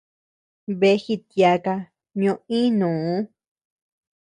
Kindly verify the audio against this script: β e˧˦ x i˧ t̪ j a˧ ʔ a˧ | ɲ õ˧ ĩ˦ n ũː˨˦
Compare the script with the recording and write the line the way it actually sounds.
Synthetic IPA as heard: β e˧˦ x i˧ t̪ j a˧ k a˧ | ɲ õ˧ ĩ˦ n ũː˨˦

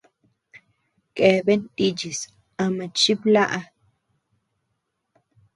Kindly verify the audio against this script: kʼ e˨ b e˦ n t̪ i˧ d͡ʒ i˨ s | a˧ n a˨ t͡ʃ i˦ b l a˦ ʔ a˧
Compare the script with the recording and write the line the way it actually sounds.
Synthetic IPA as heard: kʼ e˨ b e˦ n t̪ i˧ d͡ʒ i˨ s | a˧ m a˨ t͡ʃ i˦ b l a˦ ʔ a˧

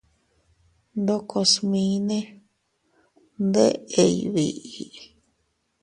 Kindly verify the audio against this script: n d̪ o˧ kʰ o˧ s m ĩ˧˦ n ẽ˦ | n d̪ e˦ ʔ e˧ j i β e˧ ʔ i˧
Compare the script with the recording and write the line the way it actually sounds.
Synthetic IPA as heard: n d̪ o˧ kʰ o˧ s m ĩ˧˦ n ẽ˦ | n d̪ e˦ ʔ e˧ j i β i˧ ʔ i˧

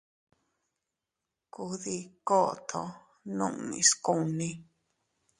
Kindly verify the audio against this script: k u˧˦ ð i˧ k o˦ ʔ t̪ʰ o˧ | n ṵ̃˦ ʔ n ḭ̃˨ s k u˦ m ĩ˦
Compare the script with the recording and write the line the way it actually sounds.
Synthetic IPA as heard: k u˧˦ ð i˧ k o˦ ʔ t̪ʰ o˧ | n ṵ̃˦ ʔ n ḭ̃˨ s k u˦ n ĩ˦

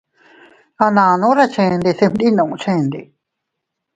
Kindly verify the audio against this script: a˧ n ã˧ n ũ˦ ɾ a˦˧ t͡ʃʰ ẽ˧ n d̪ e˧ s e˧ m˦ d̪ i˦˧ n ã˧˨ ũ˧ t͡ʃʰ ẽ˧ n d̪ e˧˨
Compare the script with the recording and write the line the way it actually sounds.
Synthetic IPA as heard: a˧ n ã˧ n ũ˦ ɾ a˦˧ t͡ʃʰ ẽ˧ n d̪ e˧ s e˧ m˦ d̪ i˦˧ n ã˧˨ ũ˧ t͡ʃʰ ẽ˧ n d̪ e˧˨

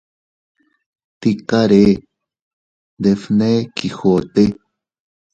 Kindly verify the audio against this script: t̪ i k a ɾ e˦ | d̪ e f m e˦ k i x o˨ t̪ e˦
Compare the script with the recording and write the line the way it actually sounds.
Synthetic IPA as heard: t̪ i k a ɾ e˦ | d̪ e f n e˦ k i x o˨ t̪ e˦

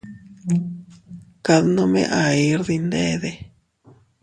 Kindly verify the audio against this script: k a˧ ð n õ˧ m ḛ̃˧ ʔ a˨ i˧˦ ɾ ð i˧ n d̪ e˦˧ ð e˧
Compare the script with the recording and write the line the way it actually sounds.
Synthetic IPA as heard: k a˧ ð n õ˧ m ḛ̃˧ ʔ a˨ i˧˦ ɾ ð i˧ n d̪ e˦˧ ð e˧

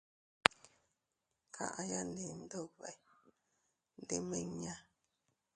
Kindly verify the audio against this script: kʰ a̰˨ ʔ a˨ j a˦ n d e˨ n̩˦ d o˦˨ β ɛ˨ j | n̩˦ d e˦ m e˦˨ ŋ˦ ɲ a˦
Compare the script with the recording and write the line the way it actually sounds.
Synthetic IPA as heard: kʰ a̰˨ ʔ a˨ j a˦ n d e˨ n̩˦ d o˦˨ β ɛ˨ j | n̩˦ d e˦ m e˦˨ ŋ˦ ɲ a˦

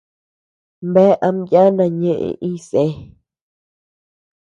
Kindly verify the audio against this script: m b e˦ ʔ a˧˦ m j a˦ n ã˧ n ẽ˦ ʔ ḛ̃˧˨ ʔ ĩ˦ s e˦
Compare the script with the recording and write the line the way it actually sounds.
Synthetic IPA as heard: m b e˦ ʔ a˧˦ m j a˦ n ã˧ ɲ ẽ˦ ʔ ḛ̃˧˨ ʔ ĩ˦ s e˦

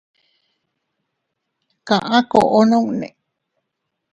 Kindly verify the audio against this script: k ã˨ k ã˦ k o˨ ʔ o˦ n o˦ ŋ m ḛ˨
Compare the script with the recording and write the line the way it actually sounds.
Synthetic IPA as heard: k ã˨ ʔ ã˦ k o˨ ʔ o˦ n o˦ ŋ n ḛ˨

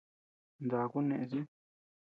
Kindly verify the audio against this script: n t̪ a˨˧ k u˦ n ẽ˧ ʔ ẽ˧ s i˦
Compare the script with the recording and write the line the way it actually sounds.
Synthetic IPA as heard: n d̪ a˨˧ k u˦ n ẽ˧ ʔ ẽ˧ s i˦

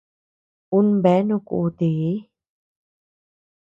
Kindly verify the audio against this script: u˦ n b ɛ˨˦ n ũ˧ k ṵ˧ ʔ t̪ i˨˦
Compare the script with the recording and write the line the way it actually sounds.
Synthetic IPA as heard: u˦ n b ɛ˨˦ n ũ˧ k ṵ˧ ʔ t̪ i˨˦

